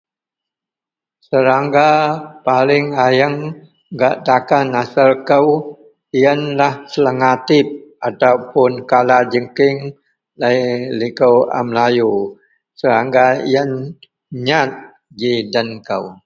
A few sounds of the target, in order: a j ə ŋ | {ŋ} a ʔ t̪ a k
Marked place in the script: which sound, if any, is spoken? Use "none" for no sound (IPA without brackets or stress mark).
ɡ